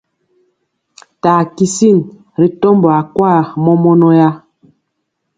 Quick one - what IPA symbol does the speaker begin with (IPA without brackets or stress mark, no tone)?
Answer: t